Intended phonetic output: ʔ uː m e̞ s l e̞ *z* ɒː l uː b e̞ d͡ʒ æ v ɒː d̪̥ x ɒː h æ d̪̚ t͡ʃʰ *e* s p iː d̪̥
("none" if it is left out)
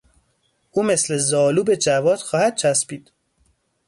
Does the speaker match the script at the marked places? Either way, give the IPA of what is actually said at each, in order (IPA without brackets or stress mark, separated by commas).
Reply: z, æ